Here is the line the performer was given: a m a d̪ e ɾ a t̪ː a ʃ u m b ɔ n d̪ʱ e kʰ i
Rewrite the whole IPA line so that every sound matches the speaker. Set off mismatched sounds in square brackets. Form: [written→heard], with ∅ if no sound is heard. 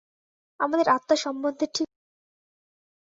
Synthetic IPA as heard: a m a d̪ e ɾ a t̪ː a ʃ [u→ɔ] m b [ɔ→o] n d̪ʱ e [kʰ→ʈʰ] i